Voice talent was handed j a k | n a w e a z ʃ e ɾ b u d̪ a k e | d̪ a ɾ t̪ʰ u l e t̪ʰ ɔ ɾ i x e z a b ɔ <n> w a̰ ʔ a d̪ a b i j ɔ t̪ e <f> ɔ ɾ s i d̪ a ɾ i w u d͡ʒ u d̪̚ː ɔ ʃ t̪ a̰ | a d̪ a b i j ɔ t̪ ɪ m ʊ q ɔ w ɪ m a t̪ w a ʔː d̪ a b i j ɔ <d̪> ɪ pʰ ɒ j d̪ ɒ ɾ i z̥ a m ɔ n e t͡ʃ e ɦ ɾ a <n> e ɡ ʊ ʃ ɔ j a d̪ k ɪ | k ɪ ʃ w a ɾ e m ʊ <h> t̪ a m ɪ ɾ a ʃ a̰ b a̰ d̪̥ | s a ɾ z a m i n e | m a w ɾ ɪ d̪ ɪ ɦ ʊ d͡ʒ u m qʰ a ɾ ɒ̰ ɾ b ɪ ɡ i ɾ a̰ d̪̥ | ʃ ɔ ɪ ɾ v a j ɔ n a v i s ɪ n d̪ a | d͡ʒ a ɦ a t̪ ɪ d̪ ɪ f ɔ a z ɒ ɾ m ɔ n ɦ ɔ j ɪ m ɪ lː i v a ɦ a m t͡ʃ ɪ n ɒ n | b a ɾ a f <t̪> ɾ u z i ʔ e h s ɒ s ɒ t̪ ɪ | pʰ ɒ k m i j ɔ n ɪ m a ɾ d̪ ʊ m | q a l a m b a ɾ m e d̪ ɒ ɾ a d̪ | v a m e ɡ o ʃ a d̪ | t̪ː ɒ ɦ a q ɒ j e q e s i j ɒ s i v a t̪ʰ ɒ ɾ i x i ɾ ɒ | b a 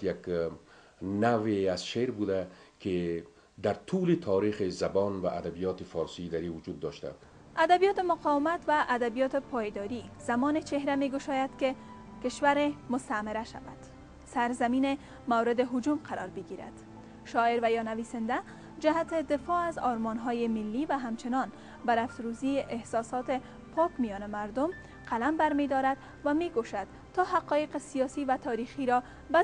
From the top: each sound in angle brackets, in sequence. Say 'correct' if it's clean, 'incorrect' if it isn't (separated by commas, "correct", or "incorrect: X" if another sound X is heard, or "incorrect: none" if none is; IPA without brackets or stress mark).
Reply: correct, correct, incorrect: t̪, incorrect: m, incorrect: s, correct